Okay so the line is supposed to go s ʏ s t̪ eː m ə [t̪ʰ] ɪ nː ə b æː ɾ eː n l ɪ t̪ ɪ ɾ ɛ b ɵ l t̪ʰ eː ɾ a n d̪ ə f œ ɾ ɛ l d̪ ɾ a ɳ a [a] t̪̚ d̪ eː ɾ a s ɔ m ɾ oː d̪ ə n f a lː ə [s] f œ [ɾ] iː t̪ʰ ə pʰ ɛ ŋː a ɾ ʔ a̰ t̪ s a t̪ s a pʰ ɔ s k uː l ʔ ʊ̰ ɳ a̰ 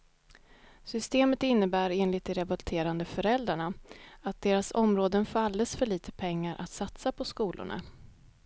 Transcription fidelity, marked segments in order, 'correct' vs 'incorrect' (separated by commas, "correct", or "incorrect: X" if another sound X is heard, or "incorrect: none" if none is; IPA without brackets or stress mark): incorrect: t̪, correct, correct, incorrect: ɭ